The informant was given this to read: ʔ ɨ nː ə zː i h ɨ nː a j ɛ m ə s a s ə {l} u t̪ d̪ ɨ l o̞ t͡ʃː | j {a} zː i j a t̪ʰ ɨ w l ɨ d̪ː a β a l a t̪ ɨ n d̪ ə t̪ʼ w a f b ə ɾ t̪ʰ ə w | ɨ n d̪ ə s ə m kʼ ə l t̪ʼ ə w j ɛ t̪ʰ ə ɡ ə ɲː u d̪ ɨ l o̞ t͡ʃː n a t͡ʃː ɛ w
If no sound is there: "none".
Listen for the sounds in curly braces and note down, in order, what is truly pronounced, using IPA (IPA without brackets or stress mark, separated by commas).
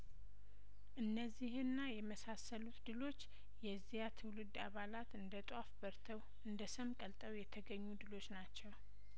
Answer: l, ɛ